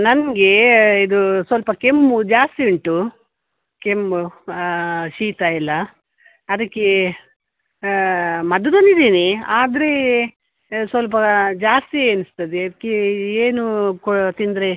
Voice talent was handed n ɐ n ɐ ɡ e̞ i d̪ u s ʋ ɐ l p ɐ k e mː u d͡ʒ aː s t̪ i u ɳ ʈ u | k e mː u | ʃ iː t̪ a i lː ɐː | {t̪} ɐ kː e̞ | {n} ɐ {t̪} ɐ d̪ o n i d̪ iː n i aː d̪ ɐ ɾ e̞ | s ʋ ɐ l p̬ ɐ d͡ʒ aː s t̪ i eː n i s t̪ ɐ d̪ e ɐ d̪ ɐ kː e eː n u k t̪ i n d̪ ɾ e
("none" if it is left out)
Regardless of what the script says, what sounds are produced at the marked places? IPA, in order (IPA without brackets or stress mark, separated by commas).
d̪, m, d̪